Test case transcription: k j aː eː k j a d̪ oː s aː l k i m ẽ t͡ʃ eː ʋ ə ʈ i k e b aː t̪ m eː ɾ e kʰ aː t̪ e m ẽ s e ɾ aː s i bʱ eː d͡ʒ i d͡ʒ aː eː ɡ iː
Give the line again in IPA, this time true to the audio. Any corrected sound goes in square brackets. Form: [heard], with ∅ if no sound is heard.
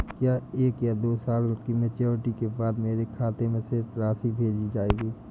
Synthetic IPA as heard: k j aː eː k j a d̪ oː s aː l k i m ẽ t͡ʃ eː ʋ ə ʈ i k e b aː [d̪] m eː ɾ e kʰ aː t̪ e m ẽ s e ɾ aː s i bʱ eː d͡ʒ i d͡ʒ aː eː ɡ iː